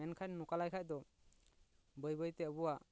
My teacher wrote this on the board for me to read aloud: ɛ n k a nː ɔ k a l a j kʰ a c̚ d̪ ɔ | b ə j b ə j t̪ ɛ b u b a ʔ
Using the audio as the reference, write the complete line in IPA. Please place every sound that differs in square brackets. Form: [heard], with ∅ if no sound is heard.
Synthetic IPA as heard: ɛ n [kʰ] a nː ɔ k a l a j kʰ a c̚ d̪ ɔ | b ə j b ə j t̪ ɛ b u [w] a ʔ